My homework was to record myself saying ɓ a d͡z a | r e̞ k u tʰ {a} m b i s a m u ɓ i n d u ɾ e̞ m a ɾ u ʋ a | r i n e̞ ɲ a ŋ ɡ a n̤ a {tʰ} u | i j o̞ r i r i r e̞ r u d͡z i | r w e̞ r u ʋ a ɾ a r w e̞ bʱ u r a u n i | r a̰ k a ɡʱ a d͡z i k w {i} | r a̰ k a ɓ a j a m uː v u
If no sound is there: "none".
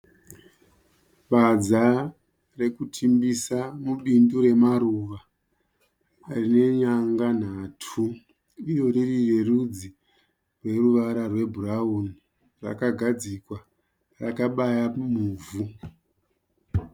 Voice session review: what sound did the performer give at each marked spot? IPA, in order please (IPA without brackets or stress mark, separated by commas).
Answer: i, tʰ, a